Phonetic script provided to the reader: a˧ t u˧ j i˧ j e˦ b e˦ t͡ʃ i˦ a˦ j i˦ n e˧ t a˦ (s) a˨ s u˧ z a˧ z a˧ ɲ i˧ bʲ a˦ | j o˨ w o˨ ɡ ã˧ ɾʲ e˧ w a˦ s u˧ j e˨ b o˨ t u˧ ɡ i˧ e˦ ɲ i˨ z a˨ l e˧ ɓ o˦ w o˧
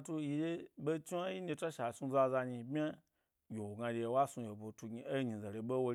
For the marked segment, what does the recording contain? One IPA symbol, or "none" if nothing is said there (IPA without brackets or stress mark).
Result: ʃ